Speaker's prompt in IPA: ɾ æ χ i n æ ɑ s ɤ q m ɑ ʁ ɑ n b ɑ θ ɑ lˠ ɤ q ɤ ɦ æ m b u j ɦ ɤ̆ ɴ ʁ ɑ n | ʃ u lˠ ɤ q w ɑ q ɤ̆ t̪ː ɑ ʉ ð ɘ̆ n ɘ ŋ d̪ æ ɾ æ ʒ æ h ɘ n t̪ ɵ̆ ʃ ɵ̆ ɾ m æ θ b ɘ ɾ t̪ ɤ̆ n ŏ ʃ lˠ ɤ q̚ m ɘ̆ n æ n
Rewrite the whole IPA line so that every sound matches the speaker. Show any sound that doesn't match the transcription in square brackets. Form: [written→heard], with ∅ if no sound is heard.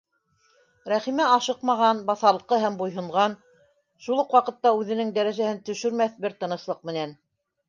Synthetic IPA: ɾ æ χ i [n→m] æ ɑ [s→ʃ] ɤ q m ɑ ʁ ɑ n b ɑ θ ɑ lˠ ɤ q ɤ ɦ æ m b u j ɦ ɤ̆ ɴ ʁ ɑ n | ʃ u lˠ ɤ q w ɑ q ɤ̆ t̪ː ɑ ʉ ð ɘ̆ n ɘ ŋ d̪ æ ɾ æ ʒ æ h ɘ n t̪ ɵ̆ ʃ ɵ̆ ɾ m æ θ b ɘ ɾ t̪ ɤ̆ n [ŏ→ɤ̆] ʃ lˠ ɤ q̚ m ɘ̆ n æ n